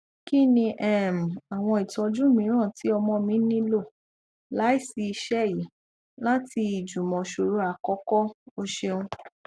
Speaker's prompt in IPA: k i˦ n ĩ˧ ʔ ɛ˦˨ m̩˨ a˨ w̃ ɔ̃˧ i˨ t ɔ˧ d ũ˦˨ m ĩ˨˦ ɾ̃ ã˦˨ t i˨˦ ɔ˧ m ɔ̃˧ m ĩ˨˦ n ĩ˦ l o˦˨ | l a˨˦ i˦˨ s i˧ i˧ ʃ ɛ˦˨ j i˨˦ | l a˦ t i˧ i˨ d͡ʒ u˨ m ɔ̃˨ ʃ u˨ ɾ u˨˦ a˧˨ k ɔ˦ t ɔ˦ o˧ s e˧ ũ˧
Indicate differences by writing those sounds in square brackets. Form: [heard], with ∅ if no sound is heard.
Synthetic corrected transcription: k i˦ n ĩ˧ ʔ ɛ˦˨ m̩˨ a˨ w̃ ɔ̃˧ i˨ t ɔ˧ [d͡ʒ] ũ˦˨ m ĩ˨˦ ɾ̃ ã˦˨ t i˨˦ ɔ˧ m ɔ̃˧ m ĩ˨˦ n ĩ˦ l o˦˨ | l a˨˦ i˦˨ s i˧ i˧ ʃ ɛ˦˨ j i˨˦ | l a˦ t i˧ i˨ d͡ʒ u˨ m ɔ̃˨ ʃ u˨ ɾ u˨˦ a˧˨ k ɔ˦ [k] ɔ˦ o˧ [ʃ] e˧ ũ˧